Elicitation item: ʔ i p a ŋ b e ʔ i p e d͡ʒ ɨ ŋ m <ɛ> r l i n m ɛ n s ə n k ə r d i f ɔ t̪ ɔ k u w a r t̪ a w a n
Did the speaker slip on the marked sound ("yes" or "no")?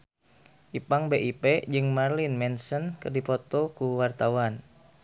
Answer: yes